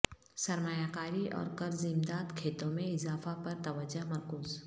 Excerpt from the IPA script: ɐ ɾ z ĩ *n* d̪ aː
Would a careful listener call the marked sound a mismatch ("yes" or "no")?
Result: yes